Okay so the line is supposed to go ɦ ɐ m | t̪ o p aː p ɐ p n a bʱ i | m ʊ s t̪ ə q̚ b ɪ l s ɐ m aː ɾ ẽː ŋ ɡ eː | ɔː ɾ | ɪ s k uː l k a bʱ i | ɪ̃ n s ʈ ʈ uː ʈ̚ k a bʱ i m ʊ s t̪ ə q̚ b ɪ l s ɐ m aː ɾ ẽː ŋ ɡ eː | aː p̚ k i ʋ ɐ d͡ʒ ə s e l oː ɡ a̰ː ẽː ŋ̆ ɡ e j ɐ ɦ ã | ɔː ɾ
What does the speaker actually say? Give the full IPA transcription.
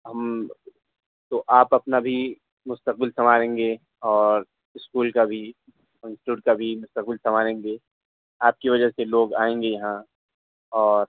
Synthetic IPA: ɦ ɐ m | t̪ o ʔ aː p ɐ p n a bʱ i | m ʊ s t̪ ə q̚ b ɪ l s ɐ m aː ɾ ẽː ŋ ɡ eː | ɔː ɾ | ɪ s k uː l k a bʱ i | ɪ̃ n s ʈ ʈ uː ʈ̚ k a bʱ i m ʊ s t̪ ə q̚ b ɪ l s ɐ m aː ɾ ẽː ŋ ɡ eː | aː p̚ k i ʋ ɐ d͡ʒ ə s e l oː ɡ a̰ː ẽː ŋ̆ ɡ e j ɐ ɦ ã | ɔː ɾ